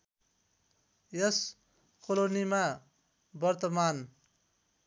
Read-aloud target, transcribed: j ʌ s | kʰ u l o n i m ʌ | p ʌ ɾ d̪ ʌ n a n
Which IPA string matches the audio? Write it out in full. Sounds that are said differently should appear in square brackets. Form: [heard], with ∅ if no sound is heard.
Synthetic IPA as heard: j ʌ s | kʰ [o] l o n i m [a] | [b] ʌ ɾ [t̪] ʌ [m] a n

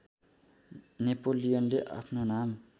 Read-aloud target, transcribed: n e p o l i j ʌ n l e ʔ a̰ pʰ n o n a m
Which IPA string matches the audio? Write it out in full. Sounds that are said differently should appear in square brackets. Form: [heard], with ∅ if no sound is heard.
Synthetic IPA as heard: n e p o l i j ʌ n l e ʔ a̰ pʰ n o n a m

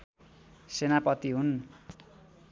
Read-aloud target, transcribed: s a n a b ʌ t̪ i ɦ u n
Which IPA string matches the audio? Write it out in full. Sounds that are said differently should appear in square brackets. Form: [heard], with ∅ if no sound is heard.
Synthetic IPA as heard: s [e] n a [p] ʌ t̪ i ɦ u n

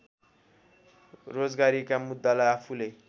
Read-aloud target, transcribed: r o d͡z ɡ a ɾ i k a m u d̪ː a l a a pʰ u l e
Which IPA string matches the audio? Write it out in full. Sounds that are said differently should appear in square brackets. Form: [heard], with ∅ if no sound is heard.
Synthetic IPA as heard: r o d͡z ɡ a ɾ i k a m u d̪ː a l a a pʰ u l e

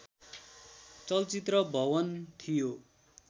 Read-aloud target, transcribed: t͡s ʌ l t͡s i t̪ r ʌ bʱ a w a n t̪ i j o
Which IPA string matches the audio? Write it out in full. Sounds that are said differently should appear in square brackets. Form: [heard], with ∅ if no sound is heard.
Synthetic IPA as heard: t͡s ʌ l t͡s i t̪ r ʌ bʱ [ʌ] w [ʌ] n [t̪ʰ] i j o

